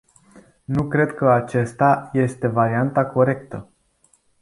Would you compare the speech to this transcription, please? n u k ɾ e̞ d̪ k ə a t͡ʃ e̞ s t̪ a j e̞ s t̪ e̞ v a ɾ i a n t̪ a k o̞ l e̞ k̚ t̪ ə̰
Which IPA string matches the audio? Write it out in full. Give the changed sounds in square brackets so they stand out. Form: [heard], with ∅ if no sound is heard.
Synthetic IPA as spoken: n u k ɾ e̞ d̪ k ə a t͡ʃ e̞ s t̪ a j e̞ s t̪ e̞ v a ɾ i a n t̪ a k o̞ [ɾ] e̞ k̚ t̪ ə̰